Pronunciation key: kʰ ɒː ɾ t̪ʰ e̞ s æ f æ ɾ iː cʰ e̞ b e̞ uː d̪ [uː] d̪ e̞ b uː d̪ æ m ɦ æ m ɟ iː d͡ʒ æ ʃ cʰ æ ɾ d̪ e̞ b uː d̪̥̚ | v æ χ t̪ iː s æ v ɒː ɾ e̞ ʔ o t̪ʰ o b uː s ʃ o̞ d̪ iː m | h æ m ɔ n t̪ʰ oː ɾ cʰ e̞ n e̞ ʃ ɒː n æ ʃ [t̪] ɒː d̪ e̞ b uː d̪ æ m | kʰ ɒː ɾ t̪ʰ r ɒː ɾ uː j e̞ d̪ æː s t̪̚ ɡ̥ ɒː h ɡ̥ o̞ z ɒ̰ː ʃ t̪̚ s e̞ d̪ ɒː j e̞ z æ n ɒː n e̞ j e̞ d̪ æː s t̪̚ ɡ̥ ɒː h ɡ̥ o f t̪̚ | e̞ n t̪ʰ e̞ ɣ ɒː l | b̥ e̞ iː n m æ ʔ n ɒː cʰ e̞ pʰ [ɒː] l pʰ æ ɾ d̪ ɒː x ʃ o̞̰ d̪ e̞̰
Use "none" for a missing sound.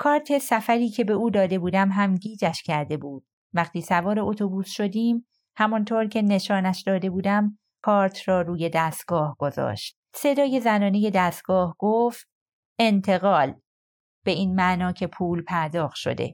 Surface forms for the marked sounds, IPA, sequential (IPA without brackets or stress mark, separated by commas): ɒː, d̪, uː